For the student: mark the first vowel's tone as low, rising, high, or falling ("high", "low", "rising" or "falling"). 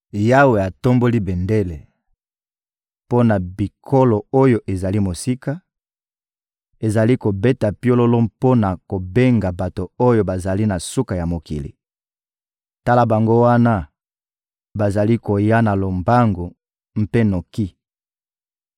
high